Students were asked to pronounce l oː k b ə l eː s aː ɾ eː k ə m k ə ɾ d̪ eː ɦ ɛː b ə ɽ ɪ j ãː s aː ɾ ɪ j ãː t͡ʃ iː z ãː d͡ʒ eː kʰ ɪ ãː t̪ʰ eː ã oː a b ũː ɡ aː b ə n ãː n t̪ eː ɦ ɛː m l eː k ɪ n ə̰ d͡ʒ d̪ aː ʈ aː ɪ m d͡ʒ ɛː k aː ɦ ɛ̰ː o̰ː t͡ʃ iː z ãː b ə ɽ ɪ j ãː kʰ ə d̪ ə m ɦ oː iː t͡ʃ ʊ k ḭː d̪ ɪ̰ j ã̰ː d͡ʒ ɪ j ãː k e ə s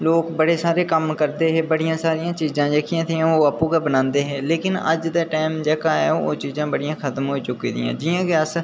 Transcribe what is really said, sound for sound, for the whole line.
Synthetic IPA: l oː k b ə ɽ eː s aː ɾ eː k ə m k ə ɾ d̪ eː ɦ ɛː b ə ɽ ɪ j ãː s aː ɾ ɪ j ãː t͡ʃ iː z ãː d͡ʒ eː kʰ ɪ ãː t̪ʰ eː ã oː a p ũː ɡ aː b ə n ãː n d̪ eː ɦ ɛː l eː k ɪ n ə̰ d͡ʒ d̪ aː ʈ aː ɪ m d͡ʒ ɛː k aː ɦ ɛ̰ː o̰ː t͡ʃ iː z ãː b ə ɽ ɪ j ãː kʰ ə t̪ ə m ɦ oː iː t͡ʃ ʊ k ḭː d̪ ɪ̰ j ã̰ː d͡ʒ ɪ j ãː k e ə s